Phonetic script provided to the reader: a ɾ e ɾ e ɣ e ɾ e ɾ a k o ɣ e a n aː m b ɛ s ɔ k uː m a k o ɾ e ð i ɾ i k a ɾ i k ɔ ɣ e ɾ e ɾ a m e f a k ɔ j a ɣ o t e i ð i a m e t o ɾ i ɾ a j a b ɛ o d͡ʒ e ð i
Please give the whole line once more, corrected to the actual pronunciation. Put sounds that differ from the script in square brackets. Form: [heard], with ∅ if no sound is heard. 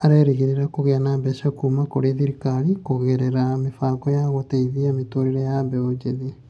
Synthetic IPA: a ɾ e ɾ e ɣ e ɾ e ɾ a k o ɣ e a n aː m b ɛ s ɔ k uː m a k o ɾ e ð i ɾ i k a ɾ i k [o] ɣ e ɾ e ɾ a m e f a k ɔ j a ɣ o t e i ð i a m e t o ɾ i ɾ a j a b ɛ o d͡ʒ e ð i